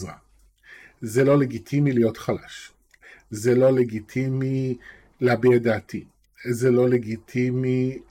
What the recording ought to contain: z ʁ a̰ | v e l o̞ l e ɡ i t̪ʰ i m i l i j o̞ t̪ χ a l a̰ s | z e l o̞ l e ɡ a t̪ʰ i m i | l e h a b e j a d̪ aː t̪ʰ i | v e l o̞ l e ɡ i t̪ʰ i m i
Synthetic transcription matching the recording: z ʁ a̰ | z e l o̞ l e ɡ i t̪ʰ i m i l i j o̞ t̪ χ a l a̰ ʃ | z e l o̞ l e ɡ i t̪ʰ i m i | l e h a b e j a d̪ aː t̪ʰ i | z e l o̞ l e ɡ i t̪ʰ i m i